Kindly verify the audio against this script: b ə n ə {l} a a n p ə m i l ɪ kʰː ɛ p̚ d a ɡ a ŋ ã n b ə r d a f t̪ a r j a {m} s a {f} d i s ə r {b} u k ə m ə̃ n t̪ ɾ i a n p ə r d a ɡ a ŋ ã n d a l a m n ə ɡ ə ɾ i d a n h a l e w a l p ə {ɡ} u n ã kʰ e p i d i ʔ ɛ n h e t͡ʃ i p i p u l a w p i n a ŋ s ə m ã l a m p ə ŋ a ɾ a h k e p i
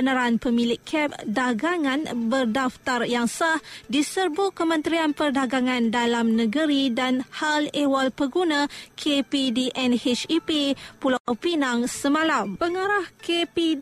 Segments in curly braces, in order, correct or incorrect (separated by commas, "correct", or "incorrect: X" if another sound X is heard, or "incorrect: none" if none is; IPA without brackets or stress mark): incorrect: ɾ, incorrect: ŋ, incorrect: h, correct, correct